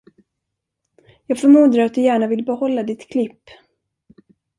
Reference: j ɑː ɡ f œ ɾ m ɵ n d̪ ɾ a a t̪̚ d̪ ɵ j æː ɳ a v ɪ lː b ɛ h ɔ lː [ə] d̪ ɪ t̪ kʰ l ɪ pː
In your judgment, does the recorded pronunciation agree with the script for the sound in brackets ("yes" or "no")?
no